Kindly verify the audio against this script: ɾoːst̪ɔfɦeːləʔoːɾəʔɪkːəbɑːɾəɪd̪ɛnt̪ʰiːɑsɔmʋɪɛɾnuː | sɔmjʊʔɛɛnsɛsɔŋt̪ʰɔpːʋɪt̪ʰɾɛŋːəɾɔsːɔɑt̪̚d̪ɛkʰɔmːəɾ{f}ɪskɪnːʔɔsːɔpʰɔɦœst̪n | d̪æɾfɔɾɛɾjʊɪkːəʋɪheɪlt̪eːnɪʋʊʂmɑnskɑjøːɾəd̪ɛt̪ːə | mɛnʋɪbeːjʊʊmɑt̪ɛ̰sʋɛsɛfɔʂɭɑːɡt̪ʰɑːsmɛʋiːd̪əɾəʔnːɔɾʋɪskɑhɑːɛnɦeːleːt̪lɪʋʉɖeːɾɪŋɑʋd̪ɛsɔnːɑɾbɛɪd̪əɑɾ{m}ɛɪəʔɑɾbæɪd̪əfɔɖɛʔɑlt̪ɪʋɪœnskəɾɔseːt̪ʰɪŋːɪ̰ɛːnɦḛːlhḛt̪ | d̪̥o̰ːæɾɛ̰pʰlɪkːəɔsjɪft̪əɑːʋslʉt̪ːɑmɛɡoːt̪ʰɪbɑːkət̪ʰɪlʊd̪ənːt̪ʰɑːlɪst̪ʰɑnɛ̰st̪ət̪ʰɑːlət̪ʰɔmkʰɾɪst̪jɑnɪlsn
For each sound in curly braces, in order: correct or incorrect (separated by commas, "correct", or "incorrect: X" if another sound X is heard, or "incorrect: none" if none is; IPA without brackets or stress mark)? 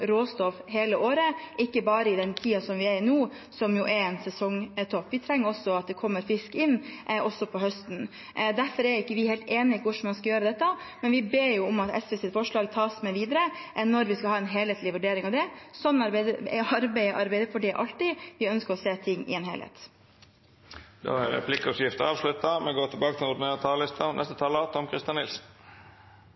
correct, incorrect: b